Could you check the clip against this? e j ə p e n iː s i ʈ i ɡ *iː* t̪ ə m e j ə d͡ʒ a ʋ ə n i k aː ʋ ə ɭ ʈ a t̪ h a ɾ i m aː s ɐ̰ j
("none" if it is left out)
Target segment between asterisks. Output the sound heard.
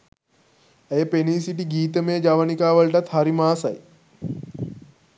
iː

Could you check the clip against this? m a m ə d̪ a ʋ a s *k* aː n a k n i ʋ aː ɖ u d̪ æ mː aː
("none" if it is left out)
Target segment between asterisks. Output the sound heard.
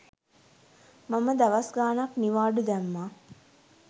ɡ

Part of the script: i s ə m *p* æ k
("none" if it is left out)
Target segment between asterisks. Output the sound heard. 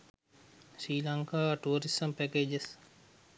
p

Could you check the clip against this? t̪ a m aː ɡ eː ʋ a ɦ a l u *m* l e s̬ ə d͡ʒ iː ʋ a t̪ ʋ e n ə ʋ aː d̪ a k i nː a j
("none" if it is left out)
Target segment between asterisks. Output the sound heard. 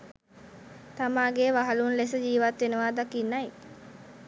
n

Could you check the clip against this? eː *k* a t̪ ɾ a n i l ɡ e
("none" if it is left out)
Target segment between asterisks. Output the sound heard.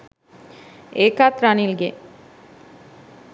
k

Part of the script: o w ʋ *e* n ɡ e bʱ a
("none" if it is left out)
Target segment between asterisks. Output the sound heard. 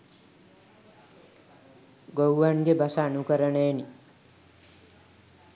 a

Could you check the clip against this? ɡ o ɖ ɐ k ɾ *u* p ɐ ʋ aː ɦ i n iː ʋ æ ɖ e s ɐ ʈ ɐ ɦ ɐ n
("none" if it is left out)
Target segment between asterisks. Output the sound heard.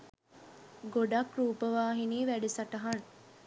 uː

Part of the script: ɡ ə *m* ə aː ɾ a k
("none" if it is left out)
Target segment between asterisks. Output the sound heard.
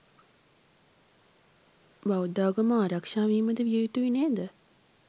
m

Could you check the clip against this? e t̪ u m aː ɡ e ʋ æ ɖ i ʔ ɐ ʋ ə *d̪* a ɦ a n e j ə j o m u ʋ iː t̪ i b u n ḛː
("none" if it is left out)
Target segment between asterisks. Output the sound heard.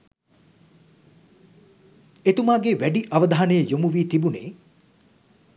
d̪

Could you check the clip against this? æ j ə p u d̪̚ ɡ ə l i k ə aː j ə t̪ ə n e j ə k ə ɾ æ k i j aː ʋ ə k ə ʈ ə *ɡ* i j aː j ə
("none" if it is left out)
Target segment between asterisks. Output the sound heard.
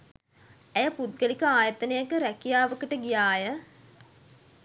ɡ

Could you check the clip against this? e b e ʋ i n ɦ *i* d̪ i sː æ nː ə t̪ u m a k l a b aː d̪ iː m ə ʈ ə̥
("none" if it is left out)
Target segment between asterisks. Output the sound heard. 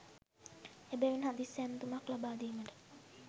a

